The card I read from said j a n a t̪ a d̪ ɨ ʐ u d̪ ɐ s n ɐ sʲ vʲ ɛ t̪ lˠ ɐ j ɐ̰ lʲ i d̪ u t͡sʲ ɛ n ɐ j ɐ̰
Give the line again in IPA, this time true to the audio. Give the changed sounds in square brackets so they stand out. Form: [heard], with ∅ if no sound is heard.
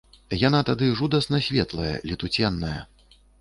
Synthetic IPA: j a n a t̪ a d̪ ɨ ʐ u d̪ ɐ s n ɐ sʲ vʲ ɛ t̪ lˠ ɐ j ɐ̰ lʲ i [t̪] u t͡sʲ ɛ [nː] ɐ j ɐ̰